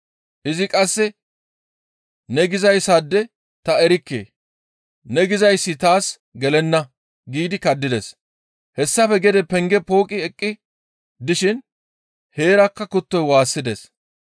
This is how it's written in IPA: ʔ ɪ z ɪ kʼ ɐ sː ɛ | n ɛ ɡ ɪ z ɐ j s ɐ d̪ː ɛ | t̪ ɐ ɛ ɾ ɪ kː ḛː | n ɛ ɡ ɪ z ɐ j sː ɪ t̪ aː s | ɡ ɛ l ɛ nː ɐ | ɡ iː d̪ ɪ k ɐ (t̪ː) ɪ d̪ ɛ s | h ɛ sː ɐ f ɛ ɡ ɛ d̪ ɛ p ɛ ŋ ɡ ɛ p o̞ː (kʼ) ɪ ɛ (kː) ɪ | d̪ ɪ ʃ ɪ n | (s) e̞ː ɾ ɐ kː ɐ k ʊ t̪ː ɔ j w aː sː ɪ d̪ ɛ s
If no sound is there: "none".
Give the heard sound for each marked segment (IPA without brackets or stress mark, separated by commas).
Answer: d̪ː, kʼ, kʼː, h